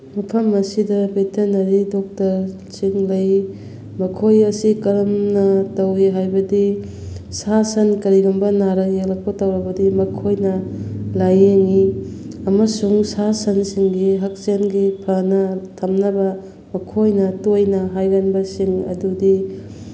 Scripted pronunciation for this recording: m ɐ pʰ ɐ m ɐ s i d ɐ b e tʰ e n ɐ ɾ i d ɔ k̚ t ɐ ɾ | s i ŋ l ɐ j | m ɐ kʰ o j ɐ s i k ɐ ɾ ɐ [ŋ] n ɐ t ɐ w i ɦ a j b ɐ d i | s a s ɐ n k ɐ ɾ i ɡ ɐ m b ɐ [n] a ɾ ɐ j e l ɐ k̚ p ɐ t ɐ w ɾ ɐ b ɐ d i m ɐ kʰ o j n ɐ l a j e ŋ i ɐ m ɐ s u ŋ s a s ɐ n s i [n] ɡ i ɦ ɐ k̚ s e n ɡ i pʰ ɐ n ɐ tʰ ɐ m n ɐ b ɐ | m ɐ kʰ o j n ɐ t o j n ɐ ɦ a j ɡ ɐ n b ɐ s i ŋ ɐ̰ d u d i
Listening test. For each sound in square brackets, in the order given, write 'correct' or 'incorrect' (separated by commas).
incorrect, correct, incorrect